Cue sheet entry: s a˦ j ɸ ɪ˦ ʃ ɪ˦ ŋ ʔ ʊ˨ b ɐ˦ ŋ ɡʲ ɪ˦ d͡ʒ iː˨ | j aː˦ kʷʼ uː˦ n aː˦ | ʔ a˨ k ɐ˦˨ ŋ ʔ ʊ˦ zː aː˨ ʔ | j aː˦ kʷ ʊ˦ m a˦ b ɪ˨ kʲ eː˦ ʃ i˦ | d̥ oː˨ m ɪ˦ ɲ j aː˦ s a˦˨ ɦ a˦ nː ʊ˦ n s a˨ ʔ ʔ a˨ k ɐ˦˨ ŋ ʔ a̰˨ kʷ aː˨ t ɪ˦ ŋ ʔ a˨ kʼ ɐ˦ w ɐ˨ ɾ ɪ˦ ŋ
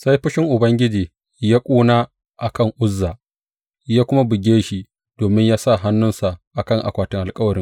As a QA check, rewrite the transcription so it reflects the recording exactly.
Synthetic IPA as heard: s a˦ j ɸ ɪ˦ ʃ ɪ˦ ŋ ʔ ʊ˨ b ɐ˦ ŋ ɡʲ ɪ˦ d͡ʒ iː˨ | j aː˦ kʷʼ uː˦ n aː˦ | ʔ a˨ k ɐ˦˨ ŋ ʔ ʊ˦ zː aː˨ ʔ | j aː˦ kʷ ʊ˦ m a˦ b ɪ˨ ɡʲ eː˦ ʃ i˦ | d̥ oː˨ m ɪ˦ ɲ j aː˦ s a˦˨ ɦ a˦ nː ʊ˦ n s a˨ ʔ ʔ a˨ k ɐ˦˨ ŋ ʔ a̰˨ kʷ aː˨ t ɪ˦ ŋ ʔ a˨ kʼ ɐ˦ w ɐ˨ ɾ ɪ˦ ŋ